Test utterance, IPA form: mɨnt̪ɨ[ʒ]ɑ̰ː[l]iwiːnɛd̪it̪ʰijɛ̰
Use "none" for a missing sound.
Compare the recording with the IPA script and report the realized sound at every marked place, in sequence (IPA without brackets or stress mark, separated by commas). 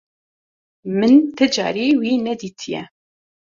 d͡ʒ, ɾ